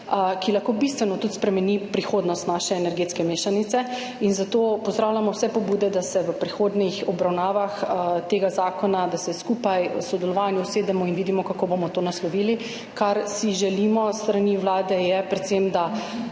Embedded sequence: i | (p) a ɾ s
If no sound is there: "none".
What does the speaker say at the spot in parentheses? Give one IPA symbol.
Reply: k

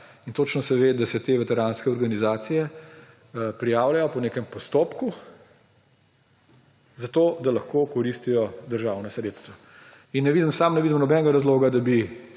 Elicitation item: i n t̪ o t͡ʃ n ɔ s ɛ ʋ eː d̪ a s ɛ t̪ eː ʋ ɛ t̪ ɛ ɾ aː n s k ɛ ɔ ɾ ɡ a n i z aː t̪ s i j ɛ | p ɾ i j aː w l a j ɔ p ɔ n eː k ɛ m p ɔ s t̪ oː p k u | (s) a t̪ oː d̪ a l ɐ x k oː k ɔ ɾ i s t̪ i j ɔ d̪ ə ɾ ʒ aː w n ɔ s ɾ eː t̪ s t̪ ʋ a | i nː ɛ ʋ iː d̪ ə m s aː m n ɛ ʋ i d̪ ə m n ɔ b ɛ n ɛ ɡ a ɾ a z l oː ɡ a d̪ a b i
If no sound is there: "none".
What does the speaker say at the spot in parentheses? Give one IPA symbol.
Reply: z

